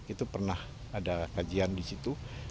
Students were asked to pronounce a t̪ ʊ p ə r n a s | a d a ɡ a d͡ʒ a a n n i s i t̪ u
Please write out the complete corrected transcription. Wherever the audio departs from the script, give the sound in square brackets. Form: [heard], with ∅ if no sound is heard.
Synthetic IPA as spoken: [i] t̪ [u] p ə r n a [h] | a d a [k] a d͡ʒ [i] a n [d] i s i t̪ u